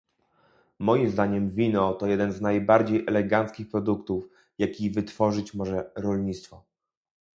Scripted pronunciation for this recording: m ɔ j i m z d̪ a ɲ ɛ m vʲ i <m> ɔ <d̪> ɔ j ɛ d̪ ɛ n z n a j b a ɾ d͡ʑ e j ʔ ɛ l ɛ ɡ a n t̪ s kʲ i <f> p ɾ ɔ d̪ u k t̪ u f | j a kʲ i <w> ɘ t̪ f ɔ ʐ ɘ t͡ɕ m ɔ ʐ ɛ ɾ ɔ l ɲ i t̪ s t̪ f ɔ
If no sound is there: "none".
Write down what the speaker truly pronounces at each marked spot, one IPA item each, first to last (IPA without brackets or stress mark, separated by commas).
n, t̪, x, v